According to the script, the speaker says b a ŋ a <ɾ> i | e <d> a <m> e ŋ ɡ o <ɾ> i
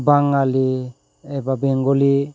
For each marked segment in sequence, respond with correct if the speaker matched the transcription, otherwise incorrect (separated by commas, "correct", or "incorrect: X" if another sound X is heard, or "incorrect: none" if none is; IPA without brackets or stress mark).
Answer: incorrect: l, incorrect: b, incorrect: b, incorrect: l